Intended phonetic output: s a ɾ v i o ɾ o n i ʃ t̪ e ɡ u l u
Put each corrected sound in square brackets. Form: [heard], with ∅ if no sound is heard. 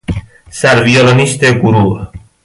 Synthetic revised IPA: s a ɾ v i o [l] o n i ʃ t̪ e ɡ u [ɾ] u